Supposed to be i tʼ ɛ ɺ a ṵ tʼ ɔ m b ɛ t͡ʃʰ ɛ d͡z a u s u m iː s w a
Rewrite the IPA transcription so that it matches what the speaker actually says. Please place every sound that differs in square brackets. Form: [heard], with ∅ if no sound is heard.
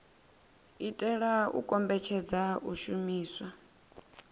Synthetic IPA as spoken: i tʼ ɛ ɺ a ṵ [kʼ] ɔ m b ɛ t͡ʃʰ ɛ d͡z a u [ʃ] u m iː s w a